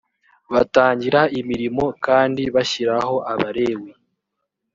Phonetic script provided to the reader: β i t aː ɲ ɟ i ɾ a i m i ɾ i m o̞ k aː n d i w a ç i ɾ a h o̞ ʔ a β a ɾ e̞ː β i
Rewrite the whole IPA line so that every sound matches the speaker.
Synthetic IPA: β a t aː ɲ ɟ i ɾ a i m i ɾ i m o̞ k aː n d i β a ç i ɾ a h o̞ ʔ a β a ɾ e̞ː w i